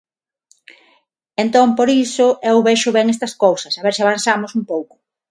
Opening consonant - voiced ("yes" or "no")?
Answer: yes